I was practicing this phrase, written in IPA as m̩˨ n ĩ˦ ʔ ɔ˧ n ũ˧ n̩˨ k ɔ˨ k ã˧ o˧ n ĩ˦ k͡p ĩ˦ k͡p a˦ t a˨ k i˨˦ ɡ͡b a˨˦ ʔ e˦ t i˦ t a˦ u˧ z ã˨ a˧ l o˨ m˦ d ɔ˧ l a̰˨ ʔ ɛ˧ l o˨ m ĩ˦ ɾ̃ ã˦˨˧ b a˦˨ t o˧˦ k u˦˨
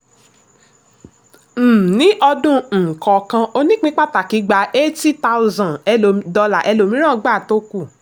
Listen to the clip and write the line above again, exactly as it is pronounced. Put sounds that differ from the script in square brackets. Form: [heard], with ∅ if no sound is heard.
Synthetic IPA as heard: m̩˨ n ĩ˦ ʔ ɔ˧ [d] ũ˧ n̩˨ k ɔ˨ k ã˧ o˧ n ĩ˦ k͡p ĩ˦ k͡p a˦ t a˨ k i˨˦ ɡ͡b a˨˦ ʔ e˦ t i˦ t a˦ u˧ z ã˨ [ɛ˧] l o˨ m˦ d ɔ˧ l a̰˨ ʔ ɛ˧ l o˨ m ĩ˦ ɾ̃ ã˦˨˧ [ɡ͡b] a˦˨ t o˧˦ k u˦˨

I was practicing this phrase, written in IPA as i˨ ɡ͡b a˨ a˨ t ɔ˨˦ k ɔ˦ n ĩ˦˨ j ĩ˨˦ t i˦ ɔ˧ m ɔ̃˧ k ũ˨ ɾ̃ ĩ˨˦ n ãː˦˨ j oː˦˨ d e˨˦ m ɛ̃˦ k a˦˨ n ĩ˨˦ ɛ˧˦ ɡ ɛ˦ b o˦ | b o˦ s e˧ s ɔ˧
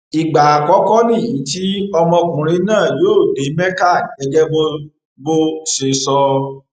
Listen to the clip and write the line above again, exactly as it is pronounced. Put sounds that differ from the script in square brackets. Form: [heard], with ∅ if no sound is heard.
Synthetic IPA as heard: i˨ ɡ͡b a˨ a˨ [k] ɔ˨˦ k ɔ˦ n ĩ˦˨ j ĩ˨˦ t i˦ ɔ˧ m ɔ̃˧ k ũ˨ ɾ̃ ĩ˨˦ n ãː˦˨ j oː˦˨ d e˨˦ m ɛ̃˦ k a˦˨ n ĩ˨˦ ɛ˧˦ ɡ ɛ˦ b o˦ | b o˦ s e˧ s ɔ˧

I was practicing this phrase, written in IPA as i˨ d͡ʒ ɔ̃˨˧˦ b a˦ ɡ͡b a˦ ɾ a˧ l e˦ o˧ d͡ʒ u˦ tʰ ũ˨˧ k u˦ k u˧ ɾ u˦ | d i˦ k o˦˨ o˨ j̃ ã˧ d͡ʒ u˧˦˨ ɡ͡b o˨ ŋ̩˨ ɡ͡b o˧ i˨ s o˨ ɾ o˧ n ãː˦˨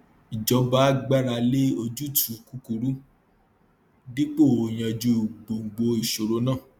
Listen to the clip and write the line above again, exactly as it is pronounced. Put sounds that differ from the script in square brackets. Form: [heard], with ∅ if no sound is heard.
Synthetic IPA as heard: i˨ d͡ʒ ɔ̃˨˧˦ b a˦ ɡ͡b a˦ ɾ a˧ l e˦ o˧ d͡ʒ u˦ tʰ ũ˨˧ k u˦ k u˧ ɾ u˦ | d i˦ [k͡p] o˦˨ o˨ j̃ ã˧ d͡ʒ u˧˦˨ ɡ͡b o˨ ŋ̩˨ ɡ͡b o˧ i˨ [ʃ] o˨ ɾ o˧ n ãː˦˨

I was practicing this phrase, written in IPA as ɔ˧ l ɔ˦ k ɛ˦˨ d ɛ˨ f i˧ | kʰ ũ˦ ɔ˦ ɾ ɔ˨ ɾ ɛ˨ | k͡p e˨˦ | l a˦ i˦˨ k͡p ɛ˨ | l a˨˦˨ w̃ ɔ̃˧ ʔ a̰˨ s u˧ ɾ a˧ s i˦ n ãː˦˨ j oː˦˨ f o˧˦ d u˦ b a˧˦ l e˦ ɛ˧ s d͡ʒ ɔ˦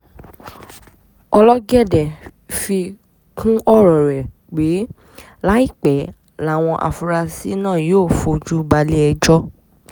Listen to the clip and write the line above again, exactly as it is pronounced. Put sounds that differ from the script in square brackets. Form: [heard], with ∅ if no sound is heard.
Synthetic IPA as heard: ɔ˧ l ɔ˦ [ɡ] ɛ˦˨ d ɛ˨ f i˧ | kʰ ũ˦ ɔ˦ ɾ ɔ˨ ɾ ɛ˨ | k͡p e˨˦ | l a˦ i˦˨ k͡p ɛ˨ | l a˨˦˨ w̃ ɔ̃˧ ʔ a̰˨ [f] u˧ ɾ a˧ s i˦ n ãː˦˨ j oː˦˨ f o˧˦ [d͡ʒ] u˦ b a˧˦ l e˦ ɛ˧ [∅] d͡ʒ ɔ˦

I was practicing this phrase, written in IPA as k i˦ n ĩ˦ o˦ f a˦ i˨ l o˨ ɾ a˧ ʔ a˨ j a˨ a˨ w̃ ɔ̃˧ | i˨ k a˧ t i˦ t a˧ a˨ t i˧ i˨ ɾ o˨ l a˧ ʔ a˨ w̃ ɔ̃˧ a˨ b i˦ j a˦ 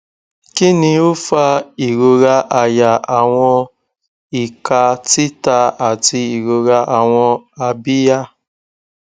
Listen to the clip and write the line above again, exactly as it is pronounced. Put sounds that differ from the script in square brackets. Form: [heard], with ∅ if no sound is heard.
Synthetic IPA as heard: k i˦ n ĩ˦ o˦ f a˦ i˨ [ɾ] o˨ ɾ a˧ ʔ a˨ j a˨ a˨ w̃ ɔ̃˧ | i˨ k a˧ t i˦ t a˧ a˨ t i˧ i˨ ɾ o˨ [ɾ] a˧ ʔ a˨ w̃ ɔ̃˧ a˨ b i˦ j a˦

